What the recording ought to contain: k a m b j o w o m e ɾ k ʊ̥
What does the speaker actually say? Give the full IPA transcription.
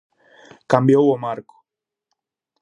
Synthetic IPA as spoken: k a m b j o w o m a ɾ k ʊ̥